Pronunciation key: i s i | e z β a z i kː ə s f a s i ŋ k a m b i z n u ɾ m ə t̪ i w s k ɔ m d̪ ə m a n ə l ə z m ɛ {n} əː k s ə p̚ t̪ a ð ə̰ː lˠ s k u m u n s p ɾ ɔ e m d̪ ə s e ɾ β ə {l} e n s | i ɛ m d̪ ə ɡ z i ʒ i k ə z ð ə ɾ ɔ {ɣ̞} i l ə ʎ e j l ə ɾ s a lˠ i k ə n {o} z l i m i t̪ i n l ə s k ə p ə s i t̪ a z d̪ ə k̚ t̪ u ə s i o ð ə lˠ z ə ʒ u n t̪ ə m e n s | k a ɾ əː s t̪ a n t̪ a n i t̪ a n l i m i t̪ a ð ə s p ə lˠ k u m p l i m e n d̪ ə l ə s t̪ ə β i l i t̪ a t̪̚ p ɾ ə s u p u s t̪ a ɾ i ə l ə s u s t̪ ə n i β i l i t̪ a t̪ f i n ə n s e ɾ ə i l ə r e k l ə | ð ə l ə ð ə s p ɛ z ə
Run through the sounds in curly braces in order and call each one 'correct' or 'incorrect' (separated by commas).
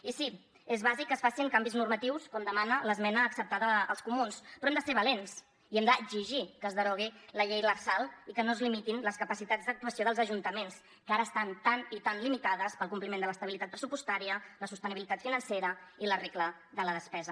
correct, correct, correct, correct